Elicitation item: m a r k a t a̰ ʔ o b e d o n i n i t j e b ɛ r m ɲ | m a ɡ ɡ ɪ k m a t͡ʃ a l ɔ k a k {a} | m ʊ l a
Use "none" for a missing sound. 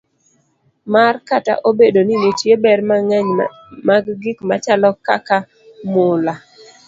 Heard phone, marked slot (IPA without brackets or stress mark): a